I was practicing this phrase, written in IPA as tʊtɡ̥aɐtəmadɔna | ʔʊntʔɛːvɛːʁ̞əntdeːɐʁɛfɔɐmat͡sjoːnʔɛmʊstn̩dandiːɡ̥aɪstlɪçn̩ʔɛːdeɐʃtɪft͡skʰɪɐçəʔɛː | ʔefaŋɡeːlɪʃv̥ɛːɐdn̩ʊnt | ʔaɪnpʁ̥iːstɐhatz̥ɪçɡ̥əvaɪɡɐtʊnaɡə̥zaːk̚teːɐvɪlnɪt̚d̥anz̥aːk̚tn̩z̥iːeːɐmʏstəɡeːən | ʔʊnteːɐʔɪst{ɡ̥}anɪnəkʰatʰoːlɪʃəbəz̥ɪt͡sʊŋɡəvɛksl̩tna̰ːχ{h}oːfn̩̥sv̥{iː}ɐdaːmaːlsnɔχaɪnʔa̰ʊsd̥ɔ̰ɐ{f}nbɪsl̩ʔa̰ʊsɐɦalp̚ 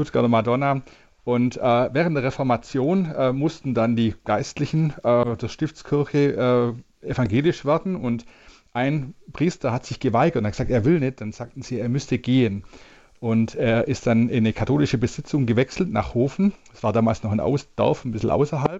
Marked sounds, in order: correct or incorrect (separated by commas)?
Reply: incorrect, correct, incorrect, correct